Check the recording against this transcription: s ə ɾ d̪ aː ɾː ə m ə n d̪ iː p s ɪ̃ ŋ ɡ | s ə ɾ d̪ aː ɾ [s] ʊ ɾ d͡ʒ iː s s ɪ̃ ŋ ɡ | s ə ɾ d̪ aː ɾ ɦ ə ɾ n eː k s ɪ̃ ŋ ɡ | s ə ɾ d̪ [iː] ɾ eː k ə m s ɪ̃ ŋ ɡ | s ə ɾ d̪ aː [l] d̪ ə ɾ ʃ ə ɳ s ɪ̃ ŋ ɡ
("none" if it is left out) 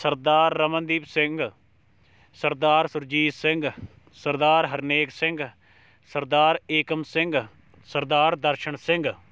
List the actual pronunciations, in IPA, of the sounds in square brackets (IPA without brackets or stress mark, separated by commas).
s, aː, ɾ